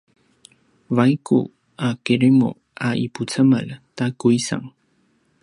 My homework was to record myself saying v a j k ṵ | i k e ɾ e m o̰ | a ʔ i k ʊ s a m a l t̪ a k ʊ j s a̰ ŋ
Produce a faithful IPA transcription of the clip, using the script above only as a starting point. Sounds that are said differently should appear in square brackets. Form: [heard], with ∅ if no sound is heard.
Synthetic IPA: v a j k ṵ | [a] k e ɾ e m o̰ | a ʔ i [p] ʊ [t͡s] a m a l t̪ a k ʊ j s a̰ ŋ

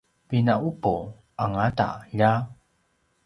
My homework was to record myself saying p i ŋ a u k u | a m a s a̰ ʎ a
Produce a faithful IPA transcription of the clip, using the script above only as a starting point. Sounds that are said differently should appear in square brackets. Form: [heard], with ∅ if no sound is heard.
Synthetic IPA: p i [n] a u [p] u | a [ŋ] a [t] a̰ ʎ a

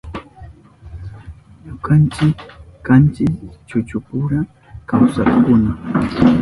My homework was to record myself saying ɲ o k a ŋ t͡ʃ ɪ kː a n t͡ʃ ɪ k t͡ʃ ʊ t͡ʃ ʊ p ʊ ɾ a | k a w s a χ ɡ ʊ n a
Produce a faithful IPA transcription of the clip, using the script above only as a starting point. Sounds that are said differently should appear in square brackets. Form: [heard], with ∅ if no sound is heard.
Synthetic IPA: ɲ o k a [n] t͡ʃ ɪ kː a n t͡ʃ ɪ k t͡ʃ ʊ t͡ʃ ʊ p ʊ ɾ a | k a w s a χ [k] ʊ n a

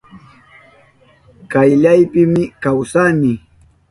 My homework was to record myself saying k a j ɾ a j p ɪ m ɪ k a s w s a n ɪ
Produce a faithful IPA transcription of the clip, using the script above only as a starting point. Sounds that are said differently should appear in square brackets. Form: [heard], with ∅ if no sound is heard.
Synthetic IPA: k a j [ʎ] a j p ɪ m ɪ k a [∅] w s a n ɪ

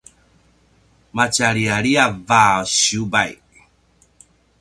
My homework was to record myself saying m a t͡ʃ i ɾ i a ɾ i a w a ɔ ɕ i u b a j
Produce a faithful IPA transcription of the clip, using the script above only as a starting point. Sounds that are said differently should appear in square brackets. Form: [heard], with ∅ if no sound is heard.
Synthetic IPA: m a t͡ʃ [a] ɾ i a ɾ i a [v] a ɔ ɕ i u b a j

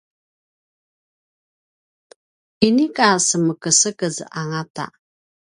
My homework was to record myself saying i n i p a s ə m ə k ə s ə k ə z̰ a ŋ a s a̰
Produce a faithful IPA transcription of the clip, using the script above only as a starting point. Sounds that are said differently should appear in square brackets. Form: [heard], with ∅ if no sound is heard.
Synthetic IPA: i n i [k] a s ə m ə k ə s ə k ə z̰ a ŋ a [t] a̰

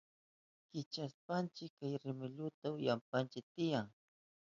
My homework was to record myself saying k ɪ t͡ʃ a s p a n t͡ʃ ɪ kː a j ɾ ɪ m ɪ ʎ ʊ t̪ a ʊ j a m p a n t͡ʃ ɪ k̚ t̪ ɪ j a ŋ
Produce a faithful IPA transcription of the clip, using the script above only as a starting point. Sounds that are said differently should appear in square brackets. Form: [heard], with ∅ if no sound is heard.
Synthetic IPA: k ɪ t͡ʃ a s p a n t͡ʃ ɪ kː a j ɾ ɪ m ɪ ʎ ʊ t̪ a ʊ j a m p a n t͡ʃ ɪ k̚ t̪ ɪ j a ŋ

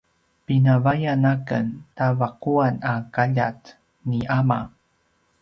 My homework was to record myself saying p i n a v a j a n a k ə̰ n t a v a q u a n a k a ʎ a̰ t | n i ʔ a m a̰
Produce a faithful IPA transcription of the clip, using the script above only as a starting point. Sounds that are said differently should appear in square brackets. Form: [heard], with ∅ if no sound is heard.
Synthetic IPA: p i n a v a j a n a k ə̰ n t a v a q u a n a k a ʎ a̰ t | n i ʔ a m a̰

